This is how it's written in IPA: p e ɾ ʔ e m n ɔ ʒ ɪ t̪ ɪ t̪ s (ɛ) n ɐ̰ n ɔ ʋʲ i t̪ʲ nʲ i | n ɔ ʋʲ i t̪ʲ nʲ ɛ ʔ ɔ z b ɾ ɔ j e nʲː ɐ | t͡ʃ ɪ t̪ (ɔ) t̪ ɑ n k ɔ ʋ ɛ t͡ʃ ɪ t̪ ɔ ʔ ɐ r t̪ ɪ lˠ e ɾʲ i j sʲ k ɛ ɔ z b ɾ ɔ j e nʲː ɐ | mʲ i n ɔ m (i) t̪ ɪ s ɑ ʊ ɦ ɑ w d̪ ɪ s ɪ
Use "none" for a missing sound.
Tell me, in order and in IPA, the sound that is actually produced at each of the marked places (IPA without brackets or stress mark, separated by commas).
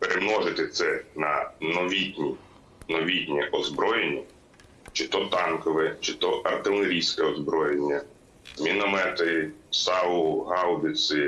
ɛ, ɔ, ɛ